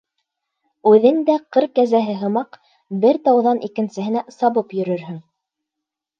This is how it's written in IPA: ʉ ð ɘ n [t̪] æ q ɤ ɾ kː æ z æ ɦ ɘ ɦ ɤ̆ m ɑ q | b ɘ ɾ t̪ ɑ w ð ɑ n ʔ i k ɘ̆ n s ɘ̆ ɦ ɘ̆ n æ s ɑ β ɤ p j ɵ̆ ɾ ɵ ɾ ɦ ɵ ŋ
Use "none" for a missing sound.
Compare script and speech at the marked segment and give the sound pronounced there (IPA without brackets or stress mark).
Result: d̪